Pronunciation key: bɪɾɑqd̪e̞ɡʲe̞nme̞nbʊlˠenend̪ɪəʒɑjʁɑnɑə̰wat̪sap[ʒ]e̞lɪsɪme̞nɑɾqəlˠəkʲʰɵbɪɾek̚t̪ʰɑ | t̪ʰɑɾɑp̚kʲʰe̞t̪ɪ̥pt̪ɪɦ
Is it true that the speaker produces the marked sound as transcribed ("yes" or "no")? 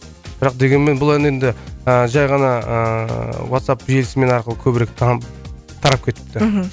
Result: yes